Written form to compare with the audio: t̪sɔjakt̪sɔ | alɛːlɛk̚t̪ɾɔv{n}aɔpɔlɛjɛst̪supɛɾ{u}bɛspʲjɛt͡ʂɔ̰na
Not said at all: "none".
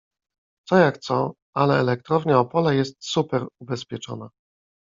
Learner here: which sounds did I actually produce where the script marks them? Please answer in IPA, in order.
ɲ, u

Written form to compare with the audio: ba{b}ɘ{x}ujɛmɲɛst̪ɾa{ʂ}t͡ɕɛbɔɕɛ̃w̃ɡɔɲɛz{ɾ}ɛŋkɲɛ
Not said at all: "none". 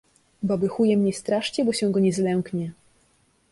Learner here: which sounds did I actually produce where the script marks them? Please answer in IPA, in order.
b, x, ʂ, l

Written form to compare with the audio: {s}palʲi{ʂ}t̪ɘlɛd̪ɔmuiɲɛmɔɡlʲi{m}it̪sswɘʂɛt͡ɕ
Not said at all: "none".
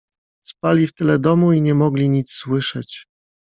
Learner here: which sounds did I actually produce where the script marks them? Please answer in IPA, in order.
s, f, ɲ

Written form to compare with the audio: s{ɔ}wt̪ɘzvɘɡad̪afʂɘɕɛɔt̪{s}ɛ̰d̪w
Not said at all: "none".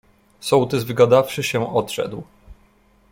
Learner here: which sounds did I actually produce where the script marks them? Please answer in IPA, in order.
ɔ, ʂ

